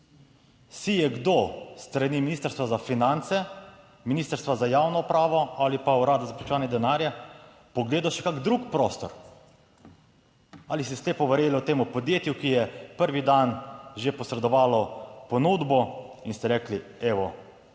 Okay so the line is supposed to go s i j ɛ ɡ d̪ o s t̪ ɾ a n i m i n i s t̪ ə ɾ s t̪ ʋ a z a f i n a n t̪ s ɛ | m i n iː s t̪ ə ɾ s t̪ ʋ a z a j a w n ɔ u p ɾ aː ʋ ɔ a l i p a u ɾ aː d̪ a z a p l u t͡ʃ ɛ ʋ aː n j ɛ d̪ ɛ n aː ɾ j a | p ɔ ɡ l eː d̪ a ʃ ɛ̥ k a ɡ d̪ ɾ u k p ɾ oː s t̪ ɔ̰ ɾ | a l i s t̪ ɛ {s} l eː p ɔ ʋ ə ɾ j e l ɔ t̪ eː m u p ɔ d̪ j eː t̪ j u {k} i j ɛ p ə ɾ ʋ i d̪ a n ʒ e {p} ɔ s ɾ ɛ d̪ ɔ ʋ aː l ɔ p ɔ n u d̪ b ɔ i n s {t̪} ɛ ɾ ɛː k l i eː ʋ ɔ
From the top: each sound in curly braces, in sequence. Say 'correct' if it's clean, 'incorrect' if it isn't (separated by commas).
correct, correct, correct, correct